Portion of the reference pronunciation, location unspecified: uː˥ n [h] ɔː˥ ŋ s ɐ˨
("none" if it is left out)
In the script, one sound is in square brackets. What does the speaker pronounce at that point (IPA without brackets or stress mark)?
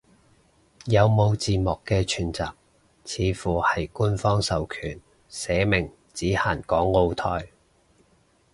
f